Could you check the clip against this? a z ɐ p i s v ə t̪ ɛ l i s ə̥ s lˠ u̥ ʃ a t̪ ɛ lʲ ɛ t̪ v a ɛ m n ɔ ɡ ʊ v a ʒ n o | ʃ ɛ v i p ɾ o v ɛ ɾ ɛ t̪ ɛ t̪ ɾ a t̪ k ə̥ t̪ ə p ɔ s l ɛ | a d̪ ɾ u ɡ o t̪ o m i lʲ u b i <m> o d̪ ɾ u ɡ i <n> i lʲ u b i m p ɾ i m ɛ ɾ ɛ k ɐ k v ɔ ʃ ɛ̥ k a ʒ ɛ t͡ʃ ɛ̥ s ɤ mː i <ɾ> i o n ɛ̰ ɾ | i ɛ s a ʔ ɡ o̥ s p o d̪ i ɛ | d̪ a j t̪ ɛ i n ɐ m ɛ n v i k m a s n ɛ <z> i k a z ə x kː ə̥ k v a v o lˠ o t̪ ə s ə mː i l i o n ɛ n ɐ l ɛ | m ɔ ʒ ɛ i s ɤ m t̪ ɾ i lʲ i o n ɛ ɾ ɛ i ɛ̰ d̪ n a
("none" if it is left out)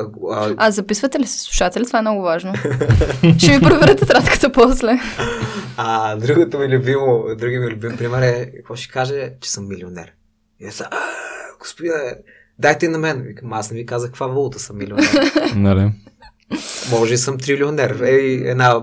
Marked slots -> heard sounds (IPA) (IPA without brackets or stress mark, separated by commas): m, m, l, v